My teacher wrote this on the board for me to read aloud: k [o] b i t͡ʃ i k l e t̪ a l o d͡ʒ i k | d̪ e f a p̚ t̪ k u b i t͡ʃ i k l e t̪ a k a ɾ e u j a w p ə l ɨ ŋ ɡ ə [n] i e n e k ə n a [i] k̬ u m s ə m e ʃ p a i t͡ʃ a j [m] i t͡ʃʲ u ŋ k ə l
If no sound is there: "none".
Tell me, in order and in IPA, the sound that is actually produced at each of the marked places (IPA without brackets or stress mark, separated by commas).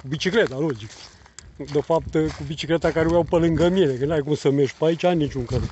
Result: u, m, j, n